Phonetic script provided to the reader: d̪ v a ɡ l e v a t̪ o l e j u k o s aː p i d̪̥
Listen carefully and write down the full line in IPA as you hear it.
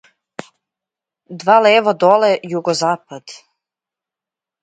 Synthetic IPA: d̪ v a l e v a d̪ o l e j u ɡ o z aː p a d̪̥